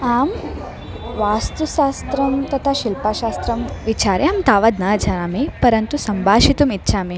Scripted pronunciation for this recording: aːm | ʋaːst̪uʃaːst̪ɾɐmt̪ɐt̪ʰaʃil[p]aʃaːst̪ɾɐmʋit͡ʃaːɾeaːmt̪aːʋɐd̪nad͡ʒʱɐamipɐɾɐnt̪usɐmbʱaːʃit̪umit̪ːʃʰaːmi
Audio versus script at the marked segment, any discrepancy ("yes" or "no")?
no